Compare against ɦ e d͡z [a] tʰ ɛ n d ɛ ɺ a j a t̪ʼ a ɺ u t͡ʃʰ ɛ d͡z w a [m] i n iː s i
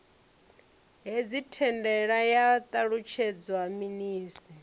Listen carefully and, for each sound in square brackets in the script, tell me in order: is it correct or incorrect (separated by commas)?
incorrect, correct